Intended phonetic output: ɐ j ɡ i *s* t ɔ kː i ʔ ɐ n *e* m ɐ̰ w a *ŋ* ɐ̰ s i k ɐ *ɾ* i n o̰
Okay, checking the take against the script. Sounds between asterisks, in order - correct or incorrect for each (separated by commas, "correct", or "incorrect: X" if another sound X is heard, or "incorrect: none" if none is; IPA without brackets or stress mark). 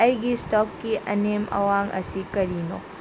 correct, correct, correct, correct